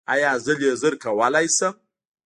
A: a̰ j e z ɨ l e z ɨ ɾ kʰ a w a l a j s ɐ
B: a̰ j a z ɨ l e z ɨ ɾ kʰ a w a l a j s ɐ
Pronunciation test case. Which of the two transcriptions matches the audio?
B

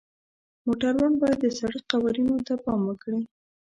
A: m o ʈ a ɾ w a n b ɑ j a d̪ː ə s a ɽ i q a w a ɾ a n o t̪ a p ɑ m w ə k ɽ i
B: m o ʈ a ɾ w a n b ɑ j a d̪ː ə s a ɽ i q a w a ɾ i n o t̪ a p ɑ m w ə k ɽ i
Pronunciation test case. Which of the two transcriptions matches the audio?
B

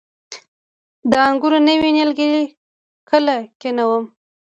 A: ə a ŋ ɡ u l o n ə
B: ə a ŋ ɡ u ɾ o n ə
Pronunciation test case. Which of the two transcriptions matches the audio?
B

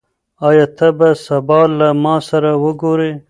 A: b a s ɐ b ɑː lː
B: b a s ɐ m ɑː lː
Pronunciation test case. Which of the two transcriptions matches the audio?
A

